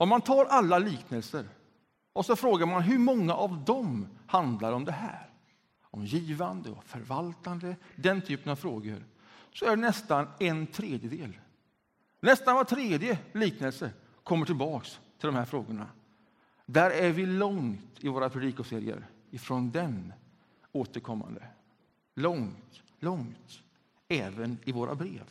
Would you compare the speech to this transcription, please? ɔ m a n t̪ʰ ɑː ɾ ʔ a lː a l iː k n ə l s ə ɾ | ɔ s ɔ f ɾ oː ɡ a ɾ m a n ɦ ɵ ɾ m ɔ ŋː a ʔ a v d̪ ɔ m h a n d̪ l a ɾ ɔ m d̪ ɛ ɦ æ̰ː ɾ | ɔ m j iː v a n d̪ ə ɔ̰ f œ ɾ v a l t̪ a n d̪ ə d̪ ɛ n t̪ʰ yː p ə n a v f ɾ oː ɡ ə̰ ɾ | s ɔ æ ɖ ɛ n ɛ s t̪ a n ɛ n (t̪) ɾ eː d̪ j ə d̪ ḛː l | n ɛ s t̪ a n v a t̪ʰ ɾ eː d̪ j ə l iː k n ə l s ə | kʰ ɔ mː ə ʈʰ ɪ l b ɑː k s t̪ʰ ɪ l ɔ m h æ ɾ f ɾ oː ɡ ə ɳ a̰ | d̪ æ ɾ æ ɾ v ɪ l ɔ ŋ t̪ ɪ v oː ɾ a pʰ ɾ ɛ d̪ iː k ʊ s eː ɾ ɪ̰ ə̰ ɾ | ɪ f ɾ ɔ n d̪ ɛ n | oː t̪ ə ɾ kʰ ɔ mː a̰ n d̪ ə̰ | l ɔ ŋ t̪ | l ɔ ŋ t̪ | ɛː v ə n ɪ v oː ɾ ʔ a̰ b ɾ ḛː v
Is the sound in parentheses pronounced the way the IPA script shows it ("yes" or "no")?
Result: no